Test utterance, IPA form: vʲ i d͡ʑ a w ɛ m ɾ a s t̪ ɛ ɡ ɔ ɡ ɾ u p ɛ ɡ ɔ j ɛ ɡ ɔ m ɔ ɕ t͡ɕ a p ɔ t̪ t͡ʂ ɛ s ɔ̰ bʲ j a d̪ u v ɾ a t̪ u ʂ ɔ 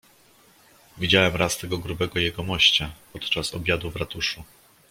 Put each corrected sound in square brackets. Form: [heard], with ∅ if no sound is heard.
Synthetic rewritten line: vʲ i d͡ʑ a w ɛ m ɾ a s t̪ ɛ ɡ ɔ ɡ ɾ u [b] ɛ ɡ ɔ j ɛ ɡ ɔ m ɔ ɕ t͡ɕ a p ɔ t̪ t͡ʂ [a] s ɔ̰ bʲ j a d̪ u v ɾ a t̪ u ʂ [u]